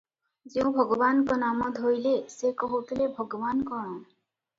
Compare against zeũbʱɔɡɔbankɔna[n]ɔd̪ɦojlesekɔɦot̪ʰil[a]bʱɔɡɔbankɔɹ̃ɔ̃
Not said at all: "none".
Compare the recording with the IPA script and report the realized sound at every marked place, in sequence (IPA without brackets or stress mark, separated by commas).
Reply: m, e